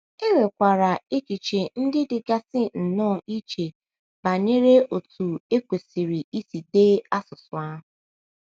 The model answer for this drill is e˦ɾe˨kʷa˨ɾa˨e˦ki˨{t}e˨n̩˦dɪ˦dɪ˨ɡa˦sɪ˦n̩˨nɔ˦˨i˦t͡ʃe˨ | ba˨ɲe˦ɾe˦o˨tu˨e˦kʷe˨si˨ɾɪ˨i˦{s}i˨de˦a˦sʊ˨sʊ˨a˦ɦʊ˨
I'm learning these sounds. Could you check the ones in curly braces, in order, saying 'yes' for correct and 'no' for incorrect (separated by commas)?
no, yes